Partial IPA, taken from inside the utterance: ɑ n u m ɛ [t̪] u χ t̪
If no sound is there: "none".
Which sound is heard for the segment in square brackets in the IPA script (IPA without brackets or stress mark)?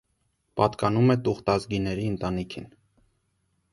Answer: t̪